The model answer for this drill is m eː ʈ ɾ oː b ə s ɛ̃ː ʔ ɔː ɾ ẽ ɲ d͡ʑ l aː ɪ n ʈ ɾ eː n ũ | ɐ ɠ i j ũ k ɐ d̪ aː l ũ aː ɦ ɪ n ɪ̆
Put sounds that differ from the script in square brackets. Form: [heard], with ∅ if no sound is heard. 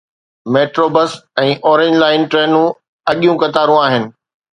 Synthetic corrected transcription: m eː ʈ ɾ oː b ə s ɛ̃ː ʔ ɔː ɾ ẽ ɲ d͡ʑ l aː ɪ n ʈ ɾ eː n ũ | ɐ ɠ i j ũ k ɐ [t̪] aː [ɾ] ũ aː ɦ ɪ n ɪ̆